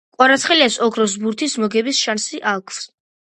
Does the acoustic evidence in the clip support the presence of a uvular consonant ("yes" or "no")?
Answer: yes